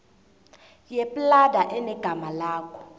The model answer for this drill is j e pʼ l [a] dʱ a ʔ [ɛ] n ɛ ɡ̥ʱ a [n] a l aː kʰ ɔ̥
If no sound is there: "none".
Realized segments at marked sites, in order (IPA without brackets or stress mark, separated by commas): a, ɛ, m